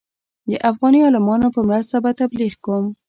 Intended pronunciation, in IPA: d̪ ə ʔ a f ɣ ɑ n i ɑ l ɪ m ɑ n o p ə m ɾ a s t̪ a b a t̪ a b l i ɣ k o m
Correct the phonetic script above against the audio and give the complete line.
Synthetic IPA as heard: d̪ ə ʔ a f ɣ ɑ n i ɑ l ɪ m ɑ n o p ə m ɾ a s t̪ a b a t̪ a b l i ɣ k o m